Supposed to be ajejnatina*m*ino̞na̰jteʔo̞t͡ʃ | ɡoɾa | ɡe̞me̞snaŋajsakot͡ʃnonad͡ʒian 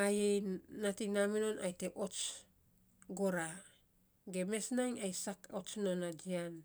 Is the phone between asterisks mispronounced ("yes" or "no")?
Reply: no